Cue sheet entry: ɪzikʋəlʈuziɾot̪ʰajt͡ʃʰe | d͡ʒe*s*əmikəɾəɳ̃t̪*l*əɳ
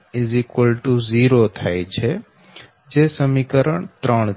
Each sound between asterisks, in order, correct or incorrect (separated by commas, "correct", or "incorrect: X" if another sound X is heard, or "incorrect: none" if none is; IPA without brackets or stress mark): correct, incorrect: ɾ